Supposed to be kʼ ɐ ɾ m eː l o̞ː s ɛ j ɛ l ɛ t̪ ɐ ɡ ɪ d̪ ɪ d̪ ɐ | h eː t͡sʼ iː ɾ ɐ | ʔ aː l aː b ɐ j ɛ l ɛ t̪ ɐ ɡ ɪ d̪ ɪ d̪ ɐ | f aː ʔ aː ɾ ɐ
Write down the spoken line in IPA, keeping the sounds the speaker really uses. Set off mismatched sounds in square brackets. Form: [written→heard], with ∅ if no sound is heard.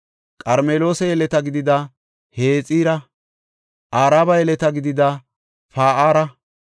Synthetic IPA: kʼ ɐ ɾ m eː l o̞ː s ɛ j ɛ l ɛ t̪ ɐ ɡ ɪ d̪ ɪ d̪ ɐ | h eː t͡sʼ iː ɾ ɐ | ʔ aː [l→ɾ] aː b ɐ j ɛ l ɛ t̪ ɐ ɡ ɪ d̪ ɪ d̪ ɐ | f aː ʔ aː ɾ ɐ